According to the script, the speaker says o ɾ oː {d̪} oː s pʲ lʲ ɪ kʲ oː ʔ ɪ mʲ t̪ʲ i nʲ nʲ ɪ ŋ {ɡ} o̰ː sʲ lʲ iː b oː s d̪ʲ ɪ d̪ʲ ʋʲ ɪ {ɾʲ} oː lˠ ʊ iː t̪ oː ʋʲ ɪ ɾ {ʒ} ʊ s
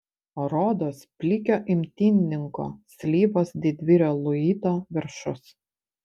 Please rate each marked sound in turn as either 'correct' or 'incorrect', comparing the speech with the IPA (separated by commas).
correct, incorrect, correct, incorrect